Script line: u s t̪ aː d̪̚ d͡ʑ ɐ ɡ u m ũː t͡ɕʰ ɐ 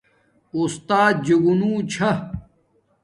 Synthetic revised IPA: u s t̪ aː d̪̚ d͡ʑ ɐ ɡ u n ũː t͡ɕʰ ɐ